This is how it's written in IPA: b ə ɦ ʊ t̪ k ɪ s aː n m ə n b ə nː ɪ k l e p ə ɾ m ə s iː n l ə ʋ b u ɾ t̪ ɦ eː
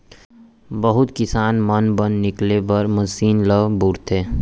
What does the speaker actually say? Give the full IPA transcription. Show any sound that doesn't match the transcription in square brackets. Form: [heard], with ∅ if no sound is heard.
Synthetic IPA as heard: b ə ɦ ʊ t̪ k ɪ s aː n m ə n b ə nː ɪ k l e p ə ɾ m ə s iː n l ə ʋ b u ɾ t̪ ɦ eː